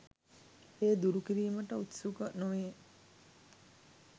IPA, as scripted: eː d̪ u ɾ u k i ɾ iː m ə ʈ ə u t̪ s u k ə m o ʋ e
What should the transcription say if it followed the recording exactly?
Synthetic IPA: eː d̪ u ɾ u k i ɾ iː m ə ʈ ə u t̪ s u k ə n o ʋ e